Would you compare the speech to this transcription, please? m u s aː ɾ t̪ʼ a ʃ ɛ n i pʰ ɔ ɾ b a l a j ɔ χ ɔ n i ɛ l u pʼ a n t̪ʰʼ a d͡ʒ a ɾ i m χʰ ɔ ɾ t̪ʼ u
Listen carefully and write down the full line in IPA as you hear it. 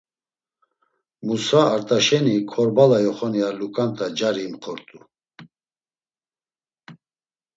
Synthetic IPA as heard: m u s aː ɾ t̪ʼ a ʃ ɛ n i kʰ ɔ ɾ b a l a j ɔ χ ɔ n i a l u kʼ a n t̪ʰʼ a d͡ʒ a ɾ i m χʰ ɔ ɾ t̪ʼ u

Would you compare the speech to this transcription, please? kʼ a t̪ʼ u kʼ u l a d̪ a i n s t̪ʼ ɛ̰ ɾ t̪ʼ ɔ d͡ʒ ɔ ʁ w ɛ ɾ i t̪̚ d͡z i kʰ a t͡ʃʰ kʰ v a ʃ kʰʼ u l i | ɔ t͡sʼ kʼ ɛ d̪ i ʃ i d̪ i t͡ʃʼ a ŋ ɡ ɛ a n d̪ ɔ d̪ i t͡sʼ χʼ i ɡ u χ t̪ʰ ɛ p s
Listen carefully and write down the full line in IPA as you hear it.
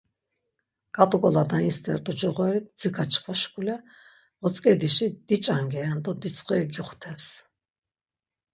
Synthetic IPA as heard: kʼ a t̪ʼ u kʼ ɔ l a d̪ a i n s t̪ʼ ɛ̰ ɾ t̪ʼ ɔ d͡ʒ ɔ ʁ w ɛ ɾ i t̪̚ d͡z i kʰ a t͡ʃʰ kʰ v a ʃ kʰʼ u l ɛ | ɔ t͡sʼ kʼ ɛ d̪ i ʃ i d̪ i t͡ʃʼ a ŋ ɡ ɛ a n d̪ ɔ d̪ i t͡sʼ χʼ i ɡ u χ t̪ʰ ɛ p s

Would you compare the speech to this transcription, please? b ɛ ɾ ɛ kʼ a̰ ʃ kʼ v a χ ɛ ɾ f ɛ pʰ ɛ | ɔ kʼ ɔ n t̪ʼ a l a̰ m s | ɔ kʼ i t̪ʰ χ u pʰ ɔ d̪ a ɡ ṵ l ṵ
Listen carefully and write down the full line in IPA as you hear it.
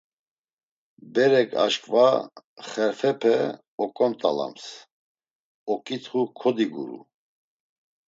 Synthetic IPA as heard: b ɛ ɾ ɛ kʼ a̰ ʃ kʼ v a χ ɛ ɾ f ɛ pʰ ɛ | ɔ kʼ ɔ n t̪ʼ a l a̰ m s | ɔ kʼ i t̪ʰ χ u kʰ ɔ d̪ i ɡ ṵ ɾ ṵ

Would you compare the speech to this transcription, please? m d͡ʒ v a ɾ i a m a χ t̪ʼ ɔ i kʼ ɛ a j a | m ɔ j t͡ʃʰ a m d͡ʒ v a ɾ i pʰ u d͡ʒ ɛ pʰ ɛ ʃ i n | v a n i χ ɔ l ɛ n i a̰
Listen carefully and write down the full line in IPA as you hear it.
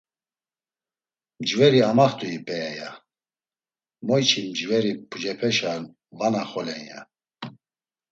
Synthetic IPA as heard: m d͡ʒ v ɛ ɾ i a m a χ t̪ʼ u i pʼ ɛ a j a | m ɔ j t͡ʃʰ i m d͡ʒ v ɛ ɾ i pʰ u d͡ʒ ɛ pʰ ɛ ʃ a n | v a n a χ ɔ l ɛ n j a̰

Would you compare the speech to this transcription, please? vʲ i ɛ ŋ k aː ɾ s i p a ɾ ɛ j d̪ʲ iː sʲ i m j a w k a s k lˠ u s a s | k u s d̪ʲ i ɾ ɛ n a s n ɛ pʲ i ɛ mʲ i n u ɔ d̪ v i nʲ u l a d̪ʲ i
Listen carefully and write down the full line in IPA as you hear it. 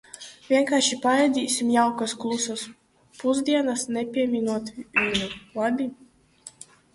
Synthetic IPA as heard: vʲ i ɛ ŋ k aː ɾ ʃ i p a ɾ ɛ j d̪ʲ iː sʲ i m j a w k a s k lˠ u s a s | p u z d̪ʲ i ɛ n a s n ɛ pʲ i ɛ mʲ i n u ɔ t̪ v i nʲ u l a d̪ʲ i

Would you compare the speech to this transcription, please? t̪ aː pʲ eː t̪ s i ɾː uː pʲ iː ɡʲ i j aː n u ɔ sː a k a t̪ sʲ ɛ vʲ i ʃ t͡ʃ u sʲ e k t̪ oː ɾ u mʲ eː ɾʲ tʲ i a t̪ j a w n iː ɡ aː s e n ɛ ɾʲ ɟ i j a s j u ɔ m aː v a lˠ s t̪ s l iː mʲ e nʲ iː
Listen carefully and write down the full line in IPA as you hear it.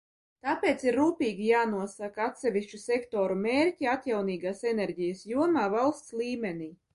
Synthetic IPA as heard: t̪ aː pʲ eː t̪ s i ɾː uː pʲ iː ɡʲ i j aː n u ɔ s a k a t̪ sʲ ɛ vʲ i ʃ t͡ʃ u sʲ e k t̪ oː ɾ u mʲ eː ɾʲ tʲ i a t̪ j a w n iː ɡ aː s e n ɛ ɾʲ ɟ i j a s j u ɔ m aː v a lˠ s t̪ s l iː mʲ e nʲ iː

